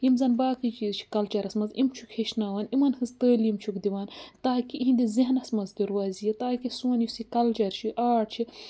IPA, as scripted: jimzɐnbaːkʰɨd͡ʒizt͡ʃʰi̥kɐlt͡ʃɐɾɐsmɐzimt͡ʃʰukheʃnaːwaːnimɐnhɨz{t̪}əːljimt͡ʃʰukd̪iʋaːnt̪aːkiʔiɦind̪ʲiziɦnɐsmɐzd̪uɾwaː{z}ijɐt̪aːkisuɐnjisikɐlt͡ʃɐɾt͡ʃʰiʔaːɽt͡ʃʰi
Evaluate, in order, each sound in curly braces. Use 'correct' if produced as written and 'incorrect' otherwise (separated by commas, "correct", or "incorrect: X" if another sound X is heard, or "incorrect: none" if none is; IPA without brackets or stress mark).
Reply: correct, correct